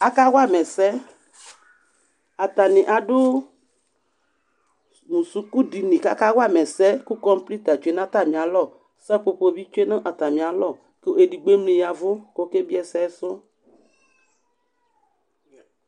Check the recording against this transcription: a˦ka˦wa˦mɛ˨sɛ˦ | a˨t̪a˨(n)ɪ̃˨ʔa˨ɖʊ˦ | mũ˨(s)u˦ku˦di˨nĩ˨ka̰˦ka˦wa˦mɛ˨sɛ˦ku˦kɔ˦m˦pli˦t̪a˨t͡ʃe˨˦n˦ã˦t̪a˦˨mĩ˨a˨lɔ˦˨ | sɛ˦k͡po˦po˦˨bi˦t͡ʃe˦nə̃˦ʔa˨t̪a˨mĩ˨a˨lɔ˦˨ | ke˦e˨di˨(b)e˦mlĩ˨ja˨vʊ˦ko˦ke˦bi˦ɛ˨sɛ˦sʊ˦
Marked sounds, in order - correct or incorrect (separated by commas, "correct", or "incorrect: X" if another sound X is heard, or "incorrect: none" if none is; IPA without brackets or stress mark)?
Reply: correct, correct, incorrect: ɡ͡b